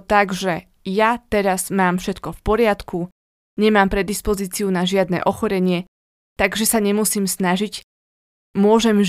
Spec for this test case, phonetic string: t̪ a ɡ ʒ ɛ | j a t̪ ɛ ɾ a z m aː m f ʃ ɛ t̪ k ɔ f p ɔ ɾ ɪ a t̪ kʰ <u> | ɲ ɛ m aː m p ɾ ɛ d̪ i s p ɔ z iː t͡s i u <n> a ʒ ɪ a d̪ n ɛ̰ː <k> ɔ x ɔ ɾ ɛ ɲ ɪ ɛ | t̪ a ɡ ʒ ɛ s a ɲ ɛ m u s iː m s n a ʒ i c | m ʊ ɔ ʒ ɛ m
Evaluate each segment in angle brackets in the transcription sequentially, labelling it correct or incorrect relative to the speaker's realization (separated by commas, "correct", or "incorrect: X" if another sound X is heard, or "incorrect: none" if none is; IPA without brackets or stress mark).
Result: correct, correct, incorrect: ʔ